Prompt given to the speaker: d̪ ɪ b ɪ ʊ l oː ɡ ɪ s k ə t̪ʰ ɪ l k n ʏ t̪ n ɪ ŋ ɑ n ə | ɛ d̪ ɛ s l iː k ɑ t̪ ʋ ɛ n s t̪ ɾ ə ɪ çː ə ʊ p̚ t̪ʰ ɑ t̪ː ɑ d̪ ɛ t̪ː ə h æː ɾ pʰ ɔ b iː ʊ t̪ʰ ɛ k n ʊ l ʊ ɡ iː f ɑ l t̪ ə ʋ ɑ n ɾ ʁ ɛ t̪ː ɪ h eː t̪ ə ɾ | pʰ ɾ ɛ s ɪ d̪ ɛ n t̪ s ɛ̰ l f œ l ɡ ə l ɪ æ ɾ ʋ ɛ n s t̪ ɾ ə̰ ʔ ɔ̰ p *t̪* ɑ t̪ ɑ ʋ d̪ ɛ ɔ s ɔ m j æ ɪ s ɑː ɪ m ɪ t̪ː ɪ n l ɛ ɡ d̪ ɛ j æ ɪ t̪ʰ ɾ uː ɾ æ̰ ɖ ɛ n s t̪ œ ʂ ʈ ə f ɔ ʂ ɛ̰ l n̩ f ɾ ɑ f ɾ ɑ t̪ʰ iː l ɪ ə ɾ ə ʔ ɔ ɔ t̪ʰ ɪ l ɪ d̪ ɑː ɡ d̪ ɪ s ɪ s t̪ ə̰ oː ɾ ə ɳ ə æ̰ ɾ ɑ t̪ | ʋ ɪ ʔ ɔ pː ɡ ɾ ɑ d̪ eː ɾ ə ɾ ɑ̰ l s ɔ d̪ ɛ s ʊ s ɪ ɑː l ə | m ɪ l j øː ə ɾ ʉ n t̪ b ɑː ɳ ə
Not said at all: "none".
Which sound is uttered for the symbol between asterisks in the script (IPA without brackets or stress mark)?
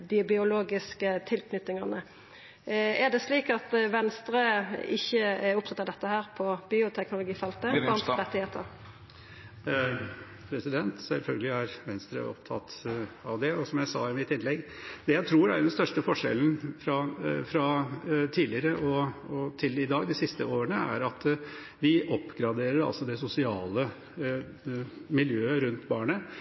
t̪ʰ